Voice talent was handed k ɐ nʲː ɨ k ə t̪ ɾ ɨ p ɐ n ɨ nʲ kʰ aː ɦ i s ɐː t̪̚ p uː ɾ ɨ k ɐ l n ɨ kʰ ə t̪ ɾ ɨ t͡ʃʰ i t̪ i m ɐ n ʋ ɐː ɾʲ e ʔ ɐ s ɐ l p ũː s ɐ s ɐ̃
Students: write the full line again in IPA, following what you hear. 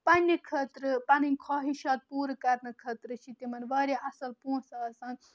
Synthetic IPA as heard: p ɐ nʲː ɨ kʰ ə t̪ ɾ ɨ p ɐ n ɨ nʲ kʰ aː ɦ i ʃ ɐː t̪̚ p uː ɾ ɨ k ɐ ɾ n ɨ kʰ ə t̪ ɾ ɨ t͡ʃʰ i t̪ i m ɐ n ʋ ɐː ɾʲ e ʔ ɐ s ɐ l p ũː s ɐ s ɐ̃